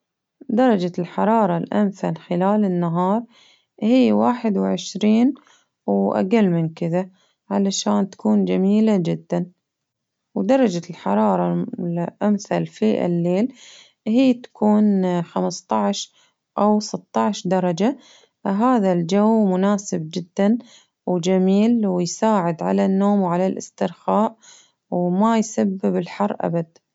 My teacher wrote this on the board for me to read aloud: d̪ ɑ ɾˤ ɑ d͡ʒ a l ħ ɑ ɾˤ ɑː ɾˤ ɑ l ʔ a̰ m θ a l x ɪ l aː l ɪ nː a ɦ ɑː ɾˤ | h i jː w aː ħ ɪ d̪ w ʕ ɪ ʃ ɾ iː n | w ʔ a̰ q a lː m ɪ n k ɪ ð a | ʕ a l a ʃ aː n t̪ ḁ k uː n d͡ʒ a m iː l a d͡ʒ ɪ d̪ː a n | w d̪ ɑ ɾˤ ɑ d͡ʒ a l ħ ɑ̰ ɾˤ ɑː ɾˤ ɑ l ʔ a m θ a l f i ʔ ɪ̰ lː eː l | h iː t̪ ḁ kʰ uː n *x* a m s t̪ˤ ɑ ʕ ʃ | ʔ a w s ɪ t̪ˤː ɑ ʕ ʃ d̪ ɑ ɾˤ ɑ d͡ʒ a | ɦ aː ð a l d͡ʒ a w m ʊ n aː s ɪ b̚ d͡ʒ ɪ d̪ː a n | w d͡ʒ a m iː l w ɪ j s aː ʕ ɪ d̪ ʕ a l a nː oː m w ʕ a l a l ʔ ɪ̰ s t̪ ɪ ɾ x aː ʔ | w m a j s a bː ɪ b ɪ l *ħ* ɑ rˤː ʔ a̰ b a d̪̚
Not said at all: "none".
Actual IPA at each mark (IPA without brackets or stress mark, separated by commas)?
x, ħ